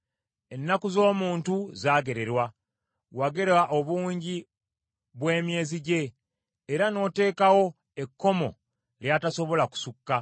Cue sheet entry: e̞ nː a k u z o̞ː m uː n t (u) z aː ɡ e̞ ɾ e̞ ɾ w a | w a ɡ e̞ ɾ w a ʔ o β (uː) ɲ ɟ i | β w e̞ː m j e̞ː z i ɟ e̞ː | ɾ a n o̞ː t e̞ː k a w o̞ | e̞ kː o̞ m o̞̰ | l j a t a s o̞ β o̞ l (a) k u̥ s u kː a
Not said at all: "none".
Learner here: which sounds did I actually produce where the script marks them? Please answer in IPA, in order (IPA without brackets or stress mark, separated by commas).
u, uː, a